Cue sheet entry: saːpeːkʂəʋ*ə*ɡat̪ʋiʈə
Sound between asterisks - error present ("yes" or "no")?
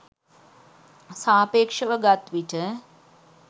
no